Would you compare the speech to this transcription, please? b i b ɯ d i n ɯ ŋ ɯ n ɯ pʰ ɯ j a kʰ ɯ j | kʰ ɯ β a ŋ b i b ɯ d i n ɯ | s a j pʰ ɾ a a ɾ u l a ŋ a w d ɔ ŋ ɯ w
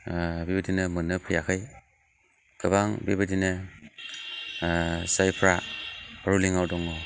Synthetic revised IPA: b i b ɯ d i n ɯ m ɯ n ɯ pʰ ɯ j a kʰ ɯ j | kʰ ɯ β a ŋ b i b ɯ d i n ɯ | s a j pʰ ɾ a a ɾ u l i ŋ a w d ɔ ŋ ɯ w

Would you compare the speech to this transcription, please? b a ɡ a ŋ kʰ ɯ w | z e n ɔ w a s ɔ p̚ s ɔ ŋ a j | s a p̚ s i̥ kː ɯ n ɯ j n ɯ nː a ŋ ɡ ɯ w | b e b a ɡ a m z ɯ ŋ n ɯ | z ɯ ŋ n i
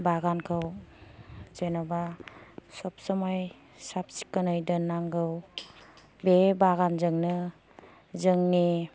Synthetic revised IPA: b a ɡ a n kʰ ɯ w | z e n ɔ b a s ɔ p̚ s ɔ m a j | s a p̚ s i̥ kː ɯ n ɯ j d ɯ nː a ŋ ɡ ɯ w | b e b a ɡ a n z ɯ ŋ n ɯ | z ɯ ŋ n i

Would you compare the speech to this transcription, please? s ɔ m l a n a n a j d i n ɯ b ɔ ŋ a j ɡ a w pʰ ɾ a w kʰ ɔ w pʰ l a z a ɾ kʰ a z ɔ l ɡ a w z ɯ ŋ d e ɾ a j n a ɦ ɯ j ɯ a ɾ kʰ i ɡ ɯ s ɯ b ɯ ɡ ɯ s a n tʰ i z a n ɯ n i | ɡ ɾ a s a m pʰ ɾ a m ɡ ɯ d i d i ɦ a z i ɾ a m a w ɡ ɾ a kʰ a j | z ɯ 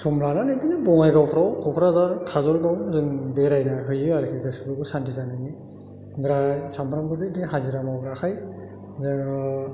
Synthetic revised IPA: s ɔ m l a n a n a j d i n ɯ b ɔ ŋ a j ɡ a w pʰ ɾ a w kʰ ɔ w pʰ ɾ a z a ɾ kʰ a z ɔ l ɡ a w z ɯ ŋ b e ɾ a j n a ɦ ɯ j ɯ a ɾ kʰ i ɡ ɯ s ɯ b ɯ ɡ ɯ s a n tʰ i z a n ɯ n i | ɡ ɾ a s a m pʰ ɾ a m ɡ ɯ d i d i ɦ a z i ɾ a m a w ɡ ɾ a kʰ a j | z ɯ

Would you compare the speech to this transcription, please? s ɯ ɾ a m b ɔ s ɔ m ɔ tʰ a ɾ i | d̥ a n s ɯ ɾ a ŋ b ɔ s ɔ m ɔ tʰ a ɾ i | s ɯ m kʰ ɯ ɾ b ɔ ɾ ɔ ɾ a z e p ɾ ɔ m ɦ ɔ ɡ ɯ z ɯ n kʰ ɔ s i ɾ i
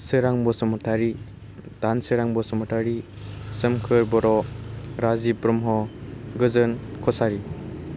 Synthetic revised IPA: s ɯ ɾ a ŋ b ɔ s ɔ m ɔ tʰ a ɾ i | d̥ a n s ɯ ɾ a ŋ b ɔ s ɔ m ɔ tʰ a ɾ i | s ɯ m kʰ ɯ ɾ b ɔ ɾ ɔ ɾ a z i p ɾ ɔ m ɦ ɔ ɡ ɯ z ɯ n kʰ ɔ s a ɾ i

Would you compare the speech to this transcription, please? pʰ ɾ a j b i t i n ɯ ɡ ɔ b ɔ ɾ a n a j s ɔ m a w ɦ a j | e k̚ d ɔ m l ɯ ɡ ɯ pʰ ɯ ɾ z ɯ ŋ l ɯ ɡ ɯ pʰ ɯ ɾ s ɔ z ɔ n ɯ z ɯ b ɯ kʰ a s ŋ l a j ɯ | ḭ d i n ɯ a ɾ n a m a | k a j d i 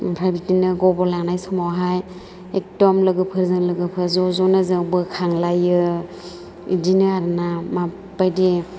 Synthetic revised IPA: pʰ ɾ a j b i t i n ɯ ɡ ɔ b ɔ l a n a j s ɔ m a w ɦ a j | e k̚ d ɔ m l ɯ ɡ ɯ pʰ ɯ ɾ z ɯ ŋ l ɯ ɡ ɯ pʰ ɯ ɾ z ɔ z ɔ n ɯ z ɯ b ɯ kʰ a ŋ l a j ɯ | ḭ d i n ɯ a ɾ n a m a | p a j d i

